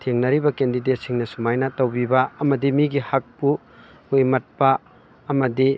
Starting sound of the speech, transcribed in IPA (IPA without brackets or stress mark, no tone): tʰ